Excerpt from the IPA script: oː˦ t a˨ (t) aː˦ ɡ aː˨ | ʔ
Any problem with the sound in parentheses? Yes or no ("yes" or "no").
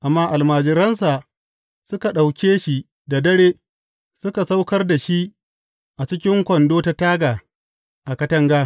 no